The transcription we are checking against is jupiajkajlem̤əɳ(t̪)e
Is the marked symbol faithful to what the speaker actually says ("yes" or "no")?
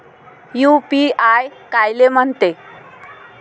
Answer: yes